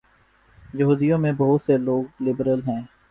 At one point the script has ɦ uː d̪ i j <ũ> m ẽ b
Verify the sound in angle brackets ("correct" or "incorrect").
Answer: incorrect